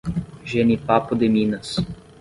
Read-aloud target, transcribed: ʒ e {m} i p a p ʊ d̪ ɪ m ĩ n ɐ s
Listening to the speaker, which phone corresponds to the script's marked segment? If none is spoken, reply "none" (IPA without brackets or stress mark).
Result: n